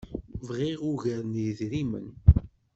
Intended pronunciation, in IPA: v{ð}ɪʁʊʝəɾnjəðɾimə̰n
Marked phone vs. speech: incorrect: ʁ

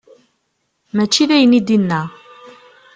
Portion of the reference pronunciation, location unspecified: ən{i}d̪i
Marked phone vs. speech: correct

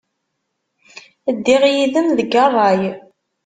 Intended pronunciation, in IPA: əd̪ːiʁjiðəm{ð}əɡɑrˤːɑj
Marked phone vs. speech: correct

